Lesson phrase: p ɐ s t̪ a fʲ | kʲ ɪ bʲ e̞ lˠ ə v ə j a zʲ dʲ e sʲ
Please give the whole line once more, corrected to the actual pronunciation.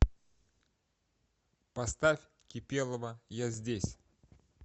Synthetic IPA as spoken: p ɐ s t̪ a fʲ | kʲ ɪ pʲ e̞ lˠ ə v ə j a zʲ dʲ e sʲ